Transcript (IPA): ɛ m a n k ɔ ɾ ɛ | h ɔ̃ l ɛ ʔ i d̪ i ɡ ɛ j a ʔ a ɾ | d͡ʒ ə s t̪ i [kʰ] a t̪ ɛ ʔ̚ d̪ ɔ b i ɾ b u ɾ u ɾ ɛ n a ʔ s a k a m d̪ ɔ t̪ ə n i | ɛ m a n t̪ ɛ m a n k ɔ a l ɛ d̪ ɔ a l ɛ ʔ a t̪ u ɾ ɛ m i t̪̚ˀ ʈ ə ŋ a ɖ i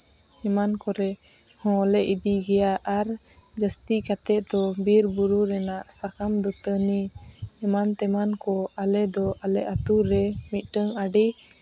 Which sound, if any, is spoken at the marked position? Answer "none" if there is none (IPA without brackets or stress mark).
k